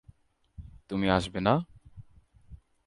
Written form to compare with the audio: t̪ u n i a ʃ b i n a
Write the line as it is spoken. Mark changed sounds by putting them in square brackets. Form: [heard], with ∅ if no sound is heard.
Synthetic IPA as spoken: t̪ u [m] i a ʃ b [e] n a